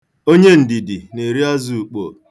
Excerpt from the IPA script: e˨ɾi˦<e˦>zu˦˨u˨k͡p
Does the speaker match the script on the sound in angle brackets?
no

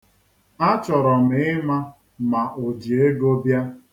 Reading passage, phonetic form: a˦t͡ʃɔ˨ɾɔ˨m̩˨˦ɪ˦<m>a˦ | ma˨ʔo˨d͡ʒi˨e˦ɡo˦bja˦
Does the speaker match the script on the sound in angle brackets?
yes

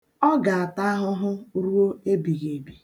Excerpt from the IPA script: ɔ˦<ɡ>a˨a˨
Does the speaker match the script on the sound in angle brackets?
yes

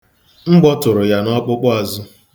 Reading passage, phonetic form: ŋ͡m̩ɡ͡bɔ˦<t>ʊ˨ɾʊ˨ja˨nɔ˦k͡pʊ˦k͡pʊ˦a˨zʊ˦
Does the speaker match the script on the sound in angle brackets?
yes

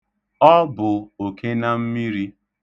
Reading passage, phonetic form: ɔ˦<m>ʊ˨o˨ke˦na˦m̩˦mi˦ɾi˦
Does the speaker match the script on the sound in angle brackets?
no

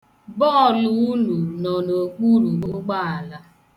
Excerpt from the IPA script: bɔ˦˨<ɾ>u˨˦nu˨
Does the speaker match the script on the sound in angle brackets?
no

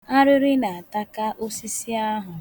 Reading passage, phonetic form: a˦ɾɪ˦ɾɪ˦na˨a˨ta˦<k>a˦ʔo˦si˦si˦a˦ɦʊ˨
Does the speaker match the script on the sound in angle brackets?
yes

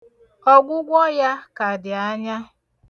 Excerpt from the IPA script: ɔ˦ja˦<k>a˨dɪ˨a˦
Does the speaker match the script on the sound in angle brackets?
yes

